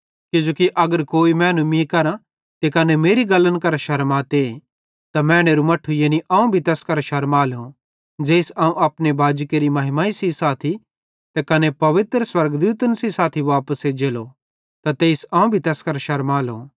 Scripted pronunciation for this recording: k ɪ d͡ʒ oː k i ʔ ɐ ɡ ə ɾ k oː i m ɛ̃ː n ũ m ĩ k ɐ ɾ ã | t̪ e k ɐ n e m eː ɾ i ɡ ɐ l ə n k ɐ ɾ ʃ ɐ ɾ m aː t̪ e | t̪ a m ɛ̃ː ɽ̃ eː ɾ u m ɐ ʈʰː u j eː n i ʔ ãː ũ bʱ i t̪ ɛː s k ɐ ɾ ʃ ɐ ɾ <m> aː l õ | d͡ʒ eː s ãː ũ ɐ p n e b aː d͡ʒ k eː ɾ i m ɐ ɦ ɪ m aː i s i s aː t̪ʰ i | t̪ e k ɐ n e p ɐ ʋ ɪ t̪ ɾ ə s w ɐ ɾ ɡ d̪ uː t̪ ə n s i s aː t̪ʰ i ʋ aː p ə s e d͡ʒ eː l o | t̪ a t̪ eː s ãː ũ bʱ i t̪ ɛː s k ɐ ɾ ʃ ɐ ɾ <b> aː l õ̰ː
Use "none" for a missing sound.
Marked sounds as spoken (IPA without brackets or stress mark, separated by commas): m, m